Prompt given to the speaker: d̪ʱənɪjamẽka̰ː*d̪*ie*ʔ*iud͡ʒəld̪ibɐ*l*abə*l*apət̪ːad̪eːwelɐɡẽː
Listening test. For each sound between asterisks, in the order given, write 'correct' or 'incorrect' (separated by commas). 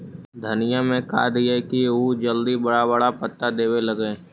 correct, incorrect, incorrect, incorrect